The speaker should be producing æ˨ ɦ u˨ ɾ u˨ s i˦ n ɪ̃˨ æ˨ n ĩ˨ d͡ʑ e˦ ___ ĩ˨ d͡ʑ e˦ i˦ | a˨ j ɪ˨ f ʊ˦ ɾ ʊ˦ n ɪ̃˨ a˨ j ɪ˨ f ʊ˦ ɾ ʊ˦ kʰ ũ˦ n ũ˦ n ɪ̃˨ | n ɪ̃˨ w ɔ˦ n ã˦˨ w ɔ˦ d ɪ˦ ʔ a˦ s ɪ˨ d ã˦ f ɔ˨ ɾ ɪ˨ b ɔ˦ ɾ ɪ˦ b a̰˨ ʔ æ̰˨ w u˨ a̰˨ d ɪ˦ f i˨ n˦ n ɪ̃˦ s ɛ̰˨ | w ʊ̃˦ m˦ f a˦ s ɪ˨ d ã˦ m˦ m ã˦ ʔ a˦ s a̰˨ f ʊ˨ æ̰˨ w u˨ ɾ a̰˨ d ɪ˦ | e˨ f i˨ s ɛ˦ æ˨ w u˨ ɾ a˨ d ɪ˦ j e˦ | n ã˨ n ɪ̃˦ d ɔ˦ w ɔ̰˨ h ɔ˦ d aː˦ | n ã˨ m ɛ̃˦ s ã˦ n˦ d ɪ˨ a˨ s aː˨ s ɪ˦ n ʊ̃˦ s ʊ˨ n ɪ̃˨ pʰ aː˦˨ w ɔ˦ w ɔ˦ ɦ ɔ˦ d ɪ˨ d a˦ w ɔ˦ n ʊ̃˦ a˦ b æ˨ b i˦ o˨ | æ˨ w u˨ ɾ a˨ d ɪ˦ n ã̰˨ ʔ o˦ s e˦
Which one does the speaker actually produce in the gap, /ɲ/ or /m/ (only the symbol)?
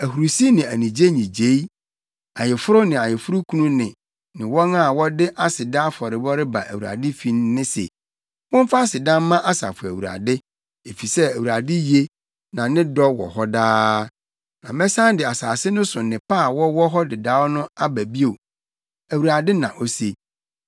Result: ɲ